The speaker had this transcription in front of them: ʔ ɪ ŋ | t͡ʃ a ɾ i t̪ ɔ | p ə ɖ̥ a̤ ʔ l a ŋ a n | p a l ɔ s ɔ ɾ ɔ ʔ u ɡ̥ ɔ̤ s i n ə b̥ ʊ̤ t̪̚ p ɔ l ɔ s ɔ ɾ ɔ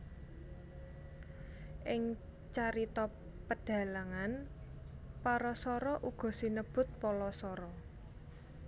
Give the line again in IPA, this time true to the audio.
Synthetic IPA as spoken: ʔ ɪ ŋ | t͡ʃ a ɾ i t̪ ɔ | p ə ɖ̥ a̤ l a ŋ a n | p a ɾ ɔ s ɔ ɾ ɔ ʔ u ɡ̥ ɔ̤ s i n ə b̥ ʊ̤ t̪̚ p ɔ l ɔ s ɔ ɾ ɔ